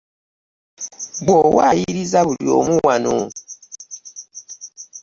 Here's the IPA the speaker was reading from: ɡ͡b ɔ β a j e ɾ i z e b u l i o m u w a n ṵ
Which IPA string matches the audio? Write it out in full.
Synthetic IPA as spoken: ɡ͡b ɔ w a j i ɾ i z a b u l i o m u w a n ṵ